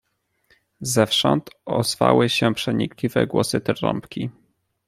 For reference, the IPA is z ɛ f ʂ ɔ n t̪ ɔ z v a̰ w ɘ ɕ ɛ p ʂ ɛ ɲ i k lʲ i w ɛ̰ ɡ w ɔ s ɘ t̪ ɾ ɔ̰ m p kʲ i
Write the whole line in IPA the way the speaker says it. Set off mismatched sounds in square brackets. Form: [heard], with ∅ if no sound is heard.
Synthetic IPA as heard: z ɛ f ʂ ɔ n t̪ ɔ z v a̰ w ɘ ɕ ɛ p ʂ ɛ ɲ i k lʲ i [v] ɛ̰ ɡ w ɔ s ɘ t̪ ɾ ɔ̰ m p kʲ i